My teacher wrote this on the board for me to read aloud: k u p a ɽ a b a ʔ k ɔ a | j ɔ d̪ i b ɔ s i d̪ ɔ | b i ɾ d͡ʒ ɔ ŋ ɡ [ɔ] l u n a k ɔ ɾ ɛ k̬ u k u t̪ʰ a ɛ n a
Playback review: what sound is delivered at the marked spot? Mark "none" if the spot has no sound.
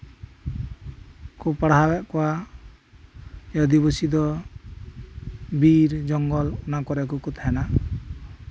ɔ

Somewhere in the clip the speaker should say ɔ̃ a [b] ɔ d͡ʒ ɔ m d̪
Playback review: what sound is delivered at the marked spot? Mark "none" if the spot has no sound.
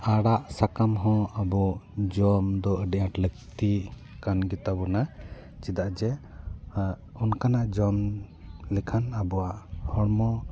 b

